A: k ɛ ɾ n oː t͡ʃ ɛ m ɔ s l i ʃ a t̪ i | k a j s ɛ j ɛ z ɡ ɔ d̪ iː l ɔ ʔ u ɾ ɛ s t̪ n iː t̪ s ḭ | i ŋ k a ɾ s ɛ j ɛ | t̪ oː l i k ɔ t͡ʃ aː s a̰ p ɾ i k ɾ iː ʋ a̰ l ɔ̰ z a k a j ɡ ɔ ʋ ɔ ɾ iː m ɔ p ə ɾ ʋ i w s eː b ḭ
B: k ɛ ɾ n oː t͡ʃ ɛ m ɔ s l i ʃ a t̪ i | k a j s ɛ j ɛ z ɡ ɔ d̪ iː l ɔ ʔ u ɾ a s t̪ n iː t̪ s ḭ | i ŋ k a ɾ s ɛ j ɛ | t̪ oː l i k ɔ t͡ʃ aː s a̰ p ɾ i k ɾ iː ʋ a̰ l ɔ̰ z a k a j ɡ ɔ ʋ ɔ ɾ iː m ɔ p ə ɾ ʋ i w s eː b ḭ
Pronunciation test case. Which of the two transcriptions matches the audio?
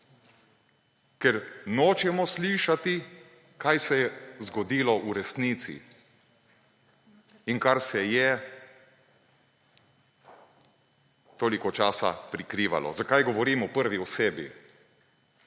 A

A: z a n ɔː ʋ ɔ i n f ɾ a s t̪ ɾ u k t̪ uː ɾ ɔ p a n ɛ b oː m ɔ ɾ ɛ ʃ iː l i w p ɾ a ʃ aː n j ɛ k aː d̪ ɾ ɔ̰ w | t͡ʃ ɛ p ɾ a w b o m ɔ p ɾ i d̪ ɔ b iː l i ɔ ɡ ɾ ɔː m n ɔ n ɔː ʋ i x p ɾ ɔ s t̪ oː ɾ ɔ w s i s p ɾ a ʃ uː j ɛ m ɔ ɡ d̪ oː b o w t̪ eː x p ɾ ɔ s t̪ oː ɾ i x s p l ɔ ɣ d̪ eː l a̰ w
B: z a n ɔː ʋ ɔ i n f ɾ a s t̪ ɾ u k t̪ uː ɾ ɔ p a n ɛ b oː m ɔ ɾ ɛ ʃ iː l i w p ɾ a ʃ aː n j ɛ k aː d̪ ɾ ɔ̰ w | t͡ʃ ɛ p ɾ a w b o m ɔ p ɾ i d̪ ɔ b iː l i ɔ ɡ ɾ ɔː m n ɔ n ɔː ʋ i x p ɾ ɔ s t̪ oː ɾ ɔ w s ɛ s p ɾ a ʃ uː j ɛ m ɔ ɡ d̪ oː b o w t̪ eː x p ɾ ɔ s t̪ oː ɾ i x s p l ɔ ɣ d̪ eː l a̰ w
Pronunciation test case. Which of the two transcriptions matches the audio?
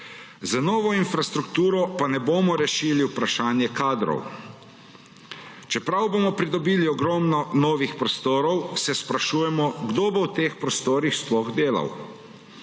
B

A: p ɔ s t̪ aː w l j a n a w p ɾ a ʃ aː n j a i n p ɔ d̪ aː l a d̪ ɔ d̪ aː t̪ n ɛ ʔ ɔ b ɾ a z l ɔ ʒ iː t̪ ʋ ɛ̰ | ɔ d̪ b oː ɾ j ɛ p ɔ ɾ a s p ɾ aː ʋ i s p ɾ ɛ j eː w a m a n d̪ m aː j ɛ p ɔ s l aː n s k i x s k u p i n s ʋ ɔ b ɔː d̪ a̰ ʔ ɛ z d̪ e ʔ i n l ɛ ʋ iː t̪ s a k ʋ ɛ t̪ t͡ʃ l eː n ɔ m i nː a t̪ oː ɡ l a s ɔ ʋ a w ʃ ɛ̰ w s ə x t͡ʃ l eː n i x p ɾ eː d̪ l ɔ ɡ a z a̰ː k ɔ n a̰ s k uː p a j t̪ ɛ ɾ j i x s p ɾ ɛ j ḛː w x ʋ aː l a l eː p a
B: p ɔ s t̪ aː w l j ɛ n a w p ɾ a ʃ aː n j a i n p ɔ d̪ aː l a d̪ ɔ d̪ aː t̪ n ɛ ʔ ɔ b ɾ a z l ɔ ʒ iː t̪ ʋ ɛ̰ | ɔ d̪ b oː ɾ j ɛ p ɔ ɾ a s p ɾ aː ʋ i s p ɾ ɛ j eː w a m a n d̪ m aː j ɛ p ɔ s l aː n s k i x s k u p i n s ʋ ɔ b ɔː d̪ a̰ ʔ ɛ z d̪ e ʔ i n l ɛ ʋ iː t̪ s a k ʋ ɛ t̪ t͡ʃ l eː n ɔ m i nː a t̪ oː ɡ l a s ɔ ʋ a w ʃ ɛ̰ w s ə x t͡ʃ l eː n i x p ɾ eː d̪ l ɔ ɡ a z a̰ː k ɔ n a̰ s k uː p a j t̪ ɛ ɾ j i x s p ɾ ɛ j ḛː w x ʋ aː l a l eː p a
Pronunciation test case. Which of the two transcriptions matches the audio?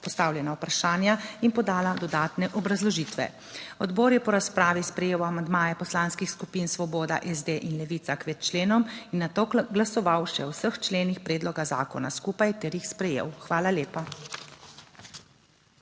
B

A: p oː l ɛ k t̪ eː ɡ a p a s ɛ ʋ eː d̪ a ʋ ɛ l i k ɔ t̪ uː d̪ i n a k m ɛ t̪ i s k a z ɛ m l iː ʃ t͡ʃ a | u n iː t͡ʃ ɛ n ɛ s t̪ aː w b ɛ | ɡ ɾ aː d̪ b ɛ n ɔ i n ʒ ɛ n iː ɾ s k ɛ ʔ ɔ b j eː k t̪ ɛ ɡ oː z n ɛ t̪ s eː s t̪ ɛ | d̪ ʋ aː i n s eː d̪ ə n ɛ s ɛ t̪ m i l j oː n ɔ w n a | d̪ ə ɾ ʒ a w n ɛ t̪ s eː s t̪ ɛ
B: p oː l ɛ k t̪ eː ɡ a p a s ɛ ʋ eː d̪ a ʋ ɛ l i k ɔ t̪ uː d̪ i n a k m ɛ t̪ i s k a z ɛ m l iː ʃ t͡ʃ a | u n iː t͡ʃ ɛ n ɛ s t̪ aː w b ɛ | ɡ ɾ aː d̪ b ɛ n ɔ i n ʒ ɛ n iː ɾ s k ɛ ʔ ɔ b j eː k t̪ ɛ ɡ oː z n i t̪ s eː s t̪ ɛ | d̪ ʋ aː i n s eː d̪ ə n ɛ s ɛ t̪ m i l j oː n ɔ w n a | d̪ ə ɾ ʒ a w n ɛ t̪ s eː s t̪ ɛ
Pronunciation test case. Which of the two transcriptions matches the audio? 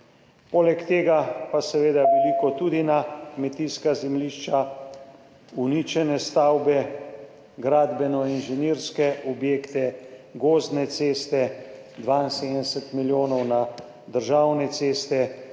A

